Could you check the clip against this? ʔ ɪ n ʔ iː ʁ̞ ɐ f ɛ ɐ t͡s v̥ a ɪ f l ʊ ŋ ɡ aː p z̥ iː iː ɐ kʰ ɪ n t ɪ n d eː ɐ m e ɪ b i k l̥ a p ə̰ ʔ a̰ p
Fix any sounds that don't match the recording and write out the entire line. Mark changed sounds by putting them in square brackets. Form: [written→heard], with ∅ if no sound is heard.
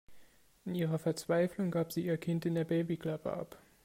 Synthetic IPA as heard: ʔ ɪ n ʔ iː ʁ̞ ɐ f ɛ ɐ t͡s v̥ a ɪ f l ʊ ŋ ɡ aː p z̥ iː iː ɐ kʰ ɪ n t ɪ n d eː ɐ [m→b] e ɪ b i k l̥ a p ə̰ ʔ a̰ p